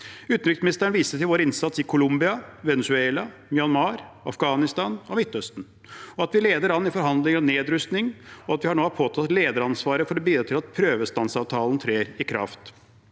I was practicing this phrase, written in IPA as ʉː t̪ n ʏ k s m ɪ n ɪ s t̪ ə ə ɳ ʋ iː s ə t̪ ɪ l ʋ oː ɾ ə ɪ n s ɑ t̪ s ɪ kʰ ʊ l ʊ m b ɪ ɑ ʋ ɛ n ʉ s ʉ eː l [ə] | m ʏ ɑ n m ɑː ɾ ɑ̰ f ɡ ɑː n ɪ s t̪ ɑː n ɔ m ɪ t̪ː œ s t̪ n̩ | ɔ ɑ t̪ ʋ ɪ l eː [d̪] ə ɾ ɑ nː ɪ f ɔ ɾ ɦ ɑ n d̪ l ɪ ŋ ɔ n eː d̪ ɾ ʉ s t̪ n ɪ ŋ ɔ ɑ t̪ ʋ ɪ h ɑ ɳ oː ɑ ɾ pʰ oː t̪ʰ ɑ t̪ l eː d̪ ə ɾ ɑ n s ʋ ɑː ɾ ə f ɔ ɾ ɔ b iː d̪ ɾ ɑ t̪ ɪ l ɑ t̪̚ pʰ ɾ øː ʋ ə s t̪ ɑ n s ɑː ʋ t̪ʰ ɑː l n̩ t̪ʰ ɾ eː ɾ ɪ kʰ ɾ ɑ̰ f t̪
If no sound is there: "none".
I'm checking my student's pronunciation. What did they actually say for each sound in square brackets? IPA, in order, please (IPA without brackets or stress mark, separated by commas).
ɑ, d̪